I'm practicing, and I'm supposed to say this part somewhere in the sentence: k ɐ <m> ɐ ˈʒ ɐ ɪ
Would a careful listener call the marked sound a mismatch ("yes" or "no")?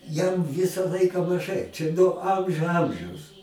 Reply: no